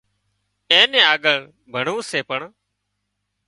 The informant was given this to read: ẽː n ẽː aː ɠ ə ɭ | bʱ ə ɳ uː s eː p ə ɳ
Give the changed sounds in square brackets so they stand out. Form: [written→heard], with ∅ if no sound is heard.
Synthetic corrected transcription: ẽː n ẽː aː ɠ ə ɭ | bʱ ə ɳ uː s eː p ə ɳ